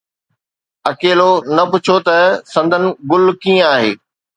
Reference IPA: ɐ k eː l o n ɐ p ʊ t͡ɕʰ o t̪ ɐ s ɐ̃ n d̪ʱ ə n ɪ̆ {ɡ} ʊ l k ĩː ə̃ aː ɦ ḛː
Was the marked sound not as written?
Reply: no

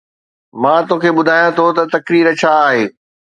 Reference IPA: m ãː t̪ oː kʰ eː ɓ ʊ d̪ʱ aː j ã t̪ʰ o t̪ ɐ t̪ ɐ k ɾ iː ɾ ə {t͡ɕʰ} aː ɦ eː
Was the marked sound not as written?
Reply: no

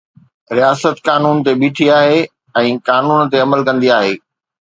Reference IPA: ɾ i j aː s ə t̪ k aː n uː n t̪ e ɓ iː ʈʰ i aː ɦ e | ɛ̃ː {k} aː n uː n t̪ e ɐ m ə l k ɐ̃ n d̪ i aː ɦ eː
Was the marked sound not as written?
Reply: no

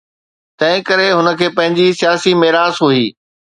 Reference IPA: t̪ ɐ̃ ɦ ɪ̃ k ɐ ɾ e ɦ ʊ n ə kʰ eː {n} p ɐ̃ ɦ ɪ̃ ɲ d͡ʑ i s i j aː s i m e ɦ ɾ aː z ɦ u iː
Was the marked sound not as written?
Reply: yes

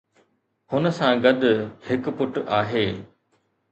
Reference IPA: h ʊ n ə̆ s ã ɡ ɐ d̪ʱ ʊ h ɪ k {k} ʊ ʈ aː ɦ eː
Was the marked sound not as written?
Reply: yes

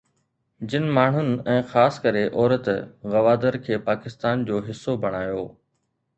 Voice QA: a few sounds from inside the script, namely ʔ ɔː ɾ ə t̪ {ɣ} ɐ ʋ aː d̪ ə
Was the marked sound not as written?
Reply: no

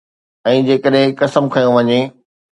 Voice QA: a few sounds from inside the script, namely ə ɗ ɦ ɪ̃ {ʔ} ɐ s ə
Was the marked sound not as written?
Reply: yes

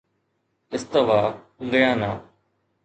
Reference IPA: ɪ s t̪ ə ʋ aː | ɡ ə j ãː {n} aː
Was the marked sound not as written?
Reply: no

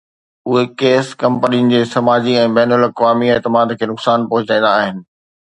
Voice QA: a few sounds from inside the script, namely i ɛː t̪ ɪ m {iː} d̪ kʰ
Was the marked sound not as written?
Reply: yes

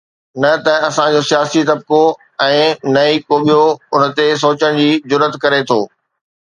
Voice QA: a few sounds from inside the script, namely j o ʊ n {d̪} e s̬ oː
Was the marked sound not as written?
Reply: yes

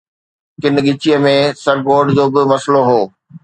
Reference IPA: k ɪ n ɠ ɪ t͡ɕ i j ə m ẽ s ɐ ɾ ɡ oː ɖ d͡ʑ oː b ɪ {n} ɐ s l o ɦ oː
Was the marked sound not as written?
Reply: yes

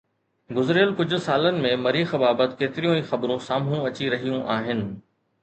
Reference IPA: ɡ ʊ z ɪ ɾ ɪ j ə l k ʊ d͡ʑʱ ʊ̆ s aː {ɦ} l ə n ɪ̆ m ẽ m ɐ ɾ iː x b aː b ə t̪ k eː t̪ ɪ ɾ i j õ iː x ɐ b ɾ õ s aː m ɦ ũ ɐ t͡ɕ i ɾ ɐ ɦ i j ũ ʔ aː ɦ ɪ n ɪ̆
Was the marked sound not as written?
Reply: yes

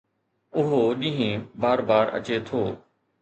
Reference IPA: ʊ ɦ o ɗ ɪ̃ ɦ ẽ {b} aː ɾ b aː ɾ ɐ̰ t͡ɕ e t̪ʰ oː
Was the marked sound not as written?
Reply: no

